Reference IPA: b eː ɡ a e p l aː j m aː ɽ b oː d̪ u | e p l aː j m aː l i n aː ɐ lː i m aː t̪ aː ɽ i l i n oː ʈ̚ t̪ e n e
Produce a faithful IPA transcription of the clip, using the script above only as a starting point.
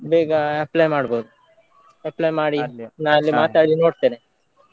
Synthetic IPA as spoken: b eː ɡ a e p l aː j m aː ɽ b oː d̪ u | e p l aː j m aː ɽ i n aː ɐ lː i m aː t̪ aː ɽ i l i n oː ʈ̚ t̪ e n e

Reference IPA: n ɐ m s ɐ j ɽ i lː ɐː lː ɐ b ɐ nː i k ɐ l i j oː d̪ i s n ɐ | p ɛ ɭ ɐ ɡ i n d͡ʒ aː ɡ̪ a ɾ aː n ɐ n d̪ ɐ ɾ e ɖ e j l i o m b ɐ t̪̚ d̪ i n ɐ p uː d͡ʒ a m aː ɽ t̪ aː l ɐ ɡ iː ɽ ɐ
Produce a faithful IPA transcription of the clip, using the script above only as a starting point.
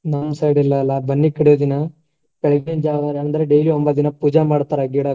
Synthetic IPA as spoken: n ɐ m s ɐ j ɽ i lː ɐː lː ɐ b ɐ nː i k ɐ ɽ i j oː d̪ i n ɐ | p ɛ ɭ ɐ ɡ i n d͡ʒ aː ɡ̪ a ɾ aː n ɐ n d̪ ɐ ɾ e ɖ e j l i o m b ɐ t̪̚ d̪ i n ɐ p uː d͡ʒ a m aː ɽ t̪ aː ɾ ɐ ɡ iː ɽ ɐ

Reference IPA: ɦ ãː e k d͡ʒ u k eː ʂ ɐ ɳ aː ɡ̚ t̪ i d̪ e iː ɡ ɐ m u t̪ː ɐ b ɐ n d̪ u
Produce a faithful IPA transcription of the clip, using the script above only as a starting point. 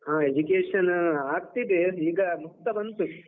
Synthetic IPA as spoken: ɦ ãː e d͡ʒ u k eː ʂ ɐ n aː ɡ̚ t̪ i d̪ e iː ɡ ɐ m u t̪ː ɐ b ɐ n t̪ u

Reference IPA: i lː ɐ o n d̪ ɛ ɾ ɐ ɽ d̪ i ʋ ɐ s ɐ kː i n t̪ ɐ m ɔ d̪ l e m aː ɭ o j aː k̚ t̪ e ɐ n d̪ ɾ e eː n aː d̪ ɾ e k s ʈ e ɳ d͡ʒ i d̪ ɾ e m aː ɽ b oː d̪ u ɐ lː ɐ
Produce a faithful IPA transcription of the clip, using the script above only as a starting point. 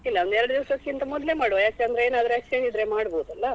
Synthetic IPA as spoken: i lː ɐ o n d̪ ɛ ɾ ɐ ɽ d̪ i ʋ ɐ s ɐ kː i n t̪ ɐ m ɔ d̪ l e m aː ɽ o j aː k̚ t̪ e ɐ n d̪ ɾ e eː n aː d̪ ɾ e k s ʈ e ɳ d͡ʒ i d̪ ɾ e m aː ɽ b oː d̪ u ɐ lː ɐ

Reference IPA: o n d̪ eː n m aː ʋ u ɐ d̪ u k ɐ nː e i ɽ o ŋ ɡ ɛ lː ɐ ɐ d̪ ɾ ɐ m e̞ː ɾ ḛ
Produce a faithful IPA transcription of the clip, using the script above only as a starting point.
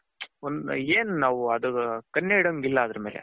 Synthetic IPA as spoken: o n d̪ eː n n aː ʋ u ɐ d̪ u k ɐ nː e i ɽ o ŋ ɡ i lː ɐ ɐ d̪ ɾ ɐ m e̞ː l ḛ

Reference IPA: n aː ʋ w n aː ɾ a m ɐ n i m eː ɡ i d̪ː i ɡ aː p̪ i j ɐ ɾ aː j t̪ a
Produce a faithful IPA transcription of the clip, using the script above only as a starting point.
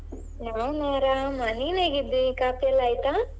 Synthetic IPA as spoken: n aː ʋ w n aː ɾ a m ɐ n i n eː ɡ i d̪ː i k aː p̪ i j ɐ l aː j t̪ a

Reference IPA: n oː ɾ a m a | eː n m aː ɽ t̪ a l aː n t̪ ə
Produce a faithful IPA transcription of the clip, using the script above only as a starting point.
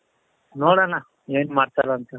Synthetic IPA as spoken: n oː ɽ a n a | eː n m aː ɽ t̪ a l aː n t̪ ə

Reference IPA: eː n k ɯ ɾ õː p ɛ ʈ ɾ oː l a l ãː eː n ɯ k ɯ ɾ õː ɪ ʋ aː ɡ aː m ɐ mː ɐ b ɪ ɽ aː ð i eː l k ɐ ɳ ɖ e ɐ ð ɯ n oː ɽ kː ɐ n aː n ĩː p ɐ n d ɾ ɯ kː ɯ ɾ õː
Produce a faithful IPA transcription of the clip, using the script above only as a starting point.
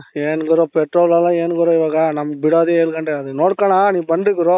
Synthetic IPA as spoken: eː n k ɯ ɾ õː p ɛ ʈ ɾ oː l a l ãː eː n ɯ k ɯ ɾ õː ɪ ʋ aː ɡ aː n ɐ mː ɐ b ɪ ɽ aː ð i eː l k ɐ ɳ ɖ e ɐ ð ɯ n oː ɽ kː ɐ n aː n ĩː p ɐ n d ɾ ɯ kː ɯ ɾ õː

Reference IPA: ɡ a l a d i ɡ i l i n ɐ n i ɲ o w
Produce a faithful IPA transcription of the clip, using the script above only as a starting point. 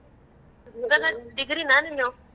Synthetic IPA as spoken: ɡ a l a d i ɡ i ɾ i n a n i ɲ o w

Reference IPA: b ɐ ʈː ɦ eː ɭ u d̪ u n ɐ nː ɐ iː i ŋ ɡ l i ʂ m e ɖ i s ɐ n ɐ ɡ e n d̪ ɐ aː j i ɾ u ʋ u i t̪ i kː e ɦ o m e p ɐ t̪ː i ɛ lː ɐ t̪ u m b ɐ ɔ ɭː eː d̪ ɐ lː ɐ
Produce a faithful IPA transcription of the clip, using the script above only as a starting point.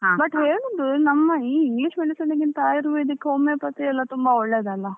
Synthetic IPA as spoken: b ɐ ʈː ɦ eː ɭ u d̪ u n ɐ mː ɐ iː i ŋ ɡ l i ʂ m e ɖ i s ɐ n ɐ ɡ i n t̪ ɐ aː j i ɾ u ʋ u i d̪ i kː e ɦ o m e p ɐ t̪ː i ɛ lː ɐ t̪ u m b ɐ ɔ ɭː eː d̪ ɐ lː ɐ

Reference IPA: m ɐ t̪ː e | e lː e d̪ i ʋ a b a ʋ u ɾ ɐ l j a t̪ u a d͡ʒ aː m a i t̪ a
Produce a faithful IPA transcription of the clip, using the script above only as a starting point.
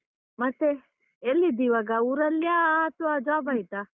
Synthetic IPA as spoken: m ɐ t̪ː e | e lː i d̪ i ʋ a ɡ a u ɾ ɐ l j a t̪ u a d͡ʒ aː b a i t̪ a

